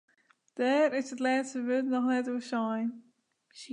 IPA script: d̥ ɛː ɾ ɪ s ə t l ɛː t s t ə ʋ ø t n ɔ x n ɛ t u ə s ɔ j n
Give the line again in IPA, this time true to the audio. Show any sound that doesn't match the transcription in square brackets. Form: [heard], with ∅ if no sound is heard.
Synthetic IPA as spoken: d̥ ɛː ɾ ɪ s ə t l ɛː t s t ə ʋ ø t n ɔ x n ɛ t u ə s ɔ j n